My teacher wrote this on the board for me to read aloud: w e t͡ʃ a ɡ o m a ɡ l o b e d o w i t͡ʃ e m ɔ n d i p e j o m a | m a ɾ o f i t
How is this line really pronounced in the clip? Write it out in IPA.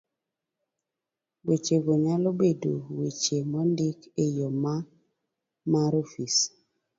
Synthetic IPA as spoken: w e t͡ʃ e ɡ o ɲ a l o b e d o w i t͡ʃ e m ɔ n d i k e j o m a | m a ɾ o f i s

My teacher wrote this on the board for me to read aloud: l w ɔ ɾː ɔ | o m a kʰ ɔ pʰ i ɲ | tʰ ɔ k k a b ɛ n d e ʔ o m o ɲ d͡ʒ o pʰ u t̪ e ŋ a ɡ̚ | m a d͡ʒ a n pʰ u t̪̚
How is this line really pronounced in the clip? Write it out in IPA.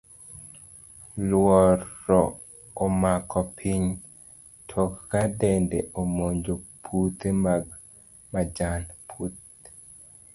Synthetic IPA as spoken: l w ɔ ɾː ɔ | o m a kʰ ɔ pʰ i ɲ | tʰ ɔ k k a d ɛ n d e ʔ o m o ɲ d͡ʒ o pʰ u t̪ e m a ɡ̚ | m a d͡ʒ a n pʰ u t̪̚

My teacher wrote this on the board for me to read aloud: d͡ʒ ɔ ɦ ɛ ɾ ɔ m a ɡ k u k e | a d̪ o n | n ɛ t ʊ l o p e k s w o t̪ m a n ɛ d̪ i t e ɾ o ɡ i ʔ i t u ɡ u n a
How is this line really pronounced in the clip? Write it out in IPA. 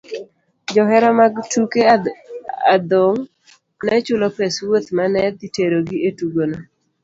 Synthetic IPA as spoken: d͡ʒ ɔ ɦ ɛ ɾ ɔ m a ɡ t u k e | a d̪ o ŋ | n ɛ t͡ʃ ʊ l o p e s w o t̪ m a n ɛ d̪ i t e ɾ o ɡ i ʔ e t u ɡ o n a

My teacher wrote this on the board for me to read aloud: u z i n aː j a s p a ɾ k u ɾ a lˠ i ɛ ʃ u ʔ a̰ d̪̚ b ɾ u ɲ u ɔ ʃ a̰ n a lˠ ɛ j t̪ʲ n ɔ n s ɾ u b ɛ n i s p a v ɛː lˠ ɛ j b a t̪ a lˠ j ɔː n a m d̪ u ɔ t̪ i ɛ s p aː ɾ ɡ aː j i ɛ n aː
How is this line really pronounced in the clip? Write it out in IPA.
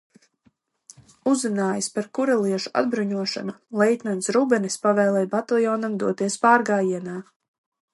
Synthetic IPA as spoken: u z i n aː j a s p a ɾ k u ɾ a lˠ i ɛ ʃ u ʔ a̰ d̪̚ b ɾ u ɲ u ɔ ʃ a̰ n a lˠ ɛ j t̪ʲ n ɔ n s ɾ u b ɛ n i s p a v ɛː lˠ ɛ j b a t̪ a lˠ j ɔː n a m d̪ u ɔ t̪ i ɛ s p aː ɾ ɡ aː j i ɛ n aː

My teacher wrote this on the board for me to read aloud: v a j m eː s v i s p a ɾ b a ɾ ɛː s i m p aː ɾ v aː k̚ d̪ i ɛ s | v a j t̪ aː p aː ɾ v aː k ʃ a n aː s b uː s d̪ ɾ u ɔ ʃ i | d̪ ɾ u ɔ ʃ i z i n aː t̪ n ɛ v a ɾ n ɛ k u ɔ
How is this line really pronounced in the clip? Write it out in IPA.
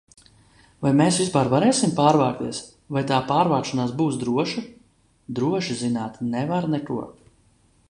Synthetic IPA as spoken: v a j m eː s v i s p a ɾ v a ɾ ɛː s i m p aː ɾ v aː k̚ t̪ i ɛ s | v a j t̪ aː p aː ɾ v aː k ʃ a n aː s b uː s d̪ ɾ u ɔ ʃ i | d̪ ɾ u ɔ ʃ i z i n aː t̪ n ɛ v a ɾ n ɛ k u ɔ

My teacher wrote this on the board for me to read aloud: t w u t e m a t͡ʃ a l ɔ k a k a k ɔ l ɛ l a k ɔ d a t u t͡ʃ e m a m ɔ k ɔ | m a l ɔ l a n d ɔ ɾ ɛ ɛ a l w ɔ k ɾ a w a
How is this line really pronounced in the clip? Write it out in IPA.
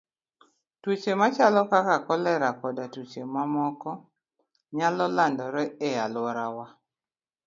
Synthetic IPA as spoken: t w u t͡ʃ e m a t͡ʃ a l ɔ k a k a k ɔ l ɛ ɾ a k ɔ d a t u t͡ʃ e m a m ɔ k ɔ | ɲ a l ɔ l a n d ɔ ɾ ɛ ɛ a l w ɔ ɾ a w a

